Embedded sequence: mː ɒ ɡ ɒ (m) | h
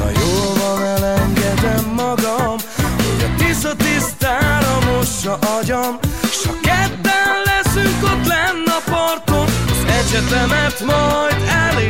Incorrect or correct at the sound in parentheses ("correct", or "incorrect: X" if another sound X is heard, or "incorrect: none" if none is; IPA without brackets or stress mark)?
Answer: correct